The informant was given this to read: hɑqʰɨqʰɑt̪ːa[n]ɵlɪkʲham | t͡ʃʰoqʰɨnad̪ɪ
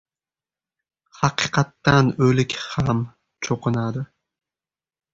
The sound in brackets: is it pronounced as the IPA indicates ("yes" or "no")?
yes